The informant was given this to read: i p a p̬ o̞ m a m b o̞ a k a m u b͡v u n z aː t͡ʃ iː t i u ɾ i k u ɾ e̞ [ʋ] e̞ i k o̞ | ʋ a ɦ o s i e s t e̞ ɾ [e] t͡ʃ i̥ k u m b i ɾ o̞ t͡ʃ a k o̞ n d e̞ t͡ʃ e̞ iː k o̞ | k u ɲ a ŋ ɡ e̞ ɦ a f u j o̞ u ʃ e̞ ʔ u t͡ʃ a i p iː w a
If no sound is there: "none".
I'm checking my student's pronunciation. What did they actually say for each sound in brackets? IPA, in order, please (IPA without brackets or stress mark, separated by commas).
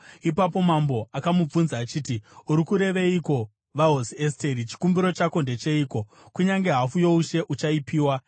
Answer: ʋ, i